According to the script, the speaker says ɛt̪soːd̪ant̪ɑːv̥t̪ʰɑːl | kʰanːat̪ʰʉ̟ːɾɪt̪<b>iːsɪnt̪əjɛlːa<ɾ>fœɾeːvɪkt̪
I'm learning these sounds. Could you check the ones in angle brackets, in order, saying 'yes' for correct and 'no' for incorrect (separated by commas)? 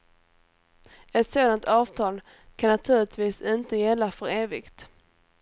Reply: no, no